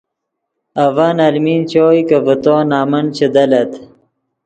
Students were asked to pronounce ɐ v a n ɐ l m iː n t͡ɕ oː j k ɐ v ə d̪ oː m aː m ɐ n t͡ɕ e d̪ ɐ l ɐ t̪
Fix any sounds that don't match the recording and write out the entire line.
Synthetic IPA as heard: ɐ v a n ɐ l m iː n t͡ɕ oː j k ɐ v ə t̪ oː n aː m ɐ n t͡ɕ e d̪ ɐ l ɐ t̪

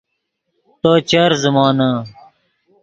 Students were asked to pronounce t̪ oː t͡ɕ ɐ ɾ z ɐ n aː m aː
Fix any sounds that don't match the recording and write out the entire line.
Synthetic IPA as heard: t̪ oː t͡ɕ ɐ ɾ z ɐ m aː n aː

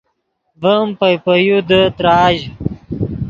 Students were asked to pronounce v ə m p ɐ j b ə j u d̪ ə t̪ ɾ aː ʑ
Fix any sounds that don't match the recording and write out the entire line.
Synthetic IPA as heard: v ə m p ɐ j p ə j u d̪ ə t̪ ɾ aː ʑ

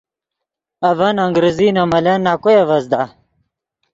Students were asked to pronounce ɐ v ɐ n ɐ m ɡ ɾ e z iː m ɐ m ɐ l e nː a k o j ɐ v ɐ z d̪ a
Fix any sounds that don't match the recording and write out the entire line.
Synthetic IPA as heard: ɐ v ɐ n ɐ ŋ ɡ ɾ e z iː n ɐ m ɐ l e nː a k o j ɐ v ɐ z d̪ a

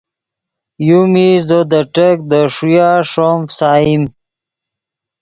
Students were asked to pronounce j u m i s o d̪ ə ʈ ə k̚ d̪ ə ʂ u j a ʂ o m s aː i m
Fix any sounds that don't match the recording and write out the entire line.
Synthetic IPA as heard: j u m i z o d̪ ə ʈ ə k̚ d̪ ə ʂ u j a ʂ o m s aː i m

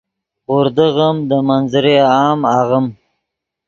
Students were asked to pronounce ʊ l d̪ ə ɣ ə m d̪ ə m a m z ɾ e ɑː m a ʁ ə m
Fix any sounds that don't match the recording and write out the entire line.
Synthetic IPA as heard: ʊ ɾ d̪ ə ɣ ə m d̪ ə m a n z ɾ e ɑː m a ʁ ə m

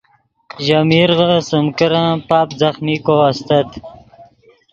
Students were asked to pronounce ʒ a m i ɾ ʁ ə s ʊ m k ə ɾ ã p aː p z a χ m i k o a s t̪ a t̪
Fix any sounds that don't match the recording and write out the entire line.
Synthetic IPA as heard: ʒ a m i ɾ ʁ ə s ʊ m k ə ɾ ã p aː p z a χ m i k o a s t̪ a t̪

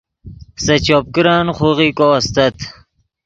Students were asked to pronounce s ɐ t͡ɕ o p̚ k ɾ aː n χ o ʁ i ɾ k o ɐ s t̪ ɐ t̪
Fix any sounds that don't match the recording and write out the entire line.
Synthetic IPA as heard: s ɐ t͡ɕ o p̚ k ɾ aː n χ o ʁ i k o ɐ s t̪ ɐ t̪

